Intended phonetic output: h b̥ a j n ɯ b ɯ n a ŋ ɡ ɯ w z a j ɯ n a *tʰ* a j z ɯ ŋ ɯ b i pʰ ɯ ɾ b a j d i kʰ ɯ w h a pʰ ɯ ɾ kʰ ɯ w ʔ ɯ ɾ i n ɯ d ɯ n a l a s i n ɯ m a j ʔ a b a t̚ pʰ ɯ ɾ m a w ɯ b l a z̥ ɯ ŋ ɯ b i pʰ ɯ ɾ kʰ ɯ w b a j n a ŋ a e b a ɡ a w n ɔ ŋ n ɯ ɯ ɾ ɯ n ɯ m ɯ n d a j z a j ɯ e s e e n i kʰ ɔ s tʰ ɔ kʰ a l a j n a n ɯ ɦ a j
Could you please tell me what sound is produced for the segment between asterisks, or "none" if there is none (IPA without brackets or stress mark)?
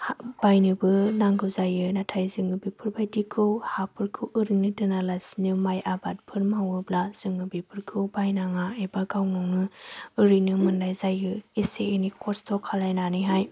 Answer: tʰ